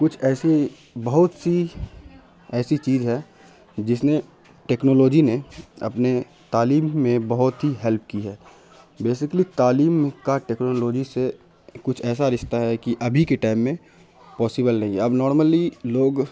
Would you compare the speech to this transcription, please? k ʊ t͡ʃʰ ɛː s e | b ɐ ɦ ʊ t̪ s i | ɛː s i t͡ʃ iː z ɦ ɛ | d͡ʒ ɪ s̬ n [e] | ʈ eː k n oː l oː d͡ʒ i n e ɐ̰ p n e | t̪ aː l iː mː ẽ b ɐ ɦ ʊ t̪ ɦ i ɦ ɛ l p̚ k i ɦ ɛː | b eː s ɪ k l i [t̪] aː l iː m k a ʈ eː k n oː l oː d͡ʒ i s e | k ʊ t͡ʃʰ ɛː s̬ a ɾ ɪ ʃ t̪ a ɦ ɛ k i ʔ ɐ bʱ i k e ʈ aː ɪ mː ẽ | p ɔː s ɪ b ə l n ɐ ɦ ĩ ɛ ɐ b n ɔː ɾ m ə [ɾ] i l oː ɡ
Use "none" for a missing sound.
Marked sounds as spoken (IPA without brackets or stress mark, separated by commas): e, t̪, l